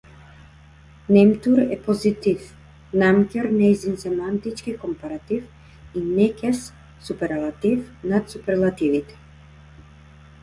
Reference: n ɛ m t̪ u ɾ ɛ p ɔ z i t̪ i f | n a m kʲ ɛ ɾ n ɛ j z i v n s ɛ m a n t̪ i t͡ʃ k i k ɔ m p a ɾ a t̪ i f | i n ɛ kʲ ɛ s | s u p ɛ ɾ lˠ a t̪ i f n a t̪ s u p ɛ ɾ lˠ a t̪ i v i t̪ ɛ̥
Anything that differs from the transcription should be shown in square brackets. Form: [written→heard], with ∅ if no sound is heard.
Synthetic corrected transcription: n ɛ m t̪ u ɾ ɛ p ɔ z i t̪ i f | n a m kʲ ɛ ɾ n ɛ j z i [v→∅] n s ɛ m a n t̪ i t͡ʃ k i k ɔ m p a ɾ a t̪ i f | i n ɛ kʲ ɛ s | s u p ɛ ɾ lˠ a t̪ i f n a t̪ s u p ɛ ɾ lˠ a t̪ i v i t̪ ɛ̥